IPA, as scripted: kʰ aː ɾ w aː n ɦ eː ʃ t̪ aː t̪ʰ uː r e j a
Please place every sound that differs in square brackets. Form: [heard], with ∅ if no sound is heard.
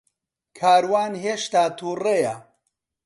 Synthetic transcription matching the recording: kʰ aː ɾ w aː n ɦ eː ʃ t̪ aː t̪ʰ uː r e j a

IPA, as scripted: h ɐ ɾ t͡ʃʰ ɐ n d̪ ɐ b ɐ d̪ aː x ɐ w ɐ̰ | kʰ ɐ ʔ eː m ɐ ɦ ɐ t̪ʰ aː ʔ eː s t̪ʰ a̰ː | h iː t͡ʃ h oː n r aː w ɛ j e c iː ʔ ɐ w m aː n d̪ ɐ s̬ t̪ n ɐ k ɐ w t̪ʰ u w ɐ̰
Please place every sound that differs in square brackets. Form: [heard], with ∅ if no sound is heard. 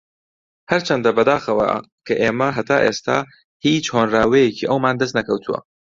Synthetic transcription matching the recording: h ɐ ɾ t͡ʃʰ ɐ n d̪ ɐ b ɐ d̪ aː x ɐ w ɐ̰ | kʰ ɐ ʔ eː m ɐ ɦ ɐ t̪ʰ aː ʔ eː s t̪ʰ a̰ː | h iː t͡ʃ h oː n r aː w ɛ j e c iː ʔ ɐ w m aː n d̪ ɐ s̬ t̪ n ɐ k ɐ w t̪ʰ u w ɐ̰

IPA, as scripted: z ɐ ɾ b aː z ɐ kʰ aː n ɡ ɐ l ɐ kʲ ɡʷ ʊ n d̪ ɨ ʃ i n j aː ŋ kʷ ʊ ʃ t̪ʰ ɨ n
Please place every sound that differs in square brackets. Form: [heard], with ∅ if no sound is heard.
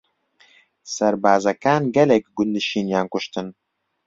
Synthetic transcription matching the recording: [s] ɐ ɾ b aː z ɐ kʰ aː n ɡ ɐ l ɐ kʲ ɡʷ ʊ n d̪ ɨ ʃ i n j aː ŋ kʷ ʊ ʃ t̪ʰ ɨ n

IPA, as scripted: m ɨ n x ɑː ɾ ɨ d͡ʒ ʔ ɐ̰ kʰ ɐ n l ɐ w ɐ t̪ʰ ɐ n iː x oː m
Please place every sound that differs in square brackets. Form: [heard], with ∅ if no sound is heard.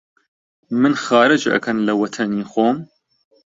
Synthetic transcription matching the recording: m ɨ n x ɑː ɾ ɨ d͡ʒ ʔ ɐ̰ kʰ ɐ n l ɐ w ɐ t̪ʰ ɐ n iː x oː m

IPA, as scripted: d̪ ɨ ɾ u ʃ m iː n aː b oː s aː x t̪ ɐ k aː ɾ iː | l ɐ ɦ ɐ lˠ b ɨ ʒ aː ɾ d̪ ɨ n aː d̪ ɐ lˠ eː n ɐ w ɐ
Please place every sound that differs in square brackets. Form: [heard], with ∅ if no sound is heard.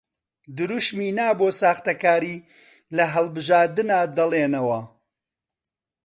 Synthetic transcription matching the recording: d̪ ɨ ɾ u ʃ m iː n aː b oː s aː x t̪ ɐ k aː ɾ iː | l ɐ ɦ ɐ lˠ b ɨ ʒ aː ɾ d̪ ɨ n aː d̪ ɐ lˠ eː n ɐ w ɐ

